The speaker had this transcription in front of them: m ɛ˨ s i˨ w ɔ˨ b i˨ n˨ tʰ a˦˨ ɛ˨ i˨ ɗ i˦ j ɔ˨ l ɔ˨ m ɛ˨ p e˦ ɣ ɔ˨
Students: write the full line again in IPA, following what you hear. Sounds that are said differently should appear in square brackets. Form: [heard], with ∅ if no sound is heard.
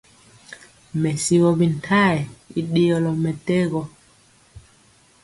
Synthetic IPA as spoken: m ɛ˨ s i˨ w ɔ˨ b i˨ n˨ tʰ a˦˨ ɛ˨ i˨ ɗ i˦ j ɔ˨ l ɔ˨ m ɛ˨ [t] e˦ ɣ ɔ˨